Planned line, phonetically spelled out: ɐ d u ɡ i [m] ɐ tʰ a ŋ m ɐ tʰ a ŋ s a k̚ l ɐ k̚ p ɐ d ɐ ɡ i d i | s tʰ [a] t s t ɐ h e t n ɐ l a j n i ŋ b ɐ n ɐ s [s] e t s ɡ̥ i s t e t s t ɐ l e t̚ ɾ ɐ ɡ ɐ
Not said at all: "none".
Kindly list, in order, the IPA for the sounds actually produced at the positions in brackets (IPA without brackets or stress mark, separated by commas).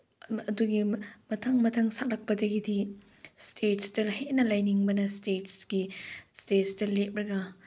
m, e, t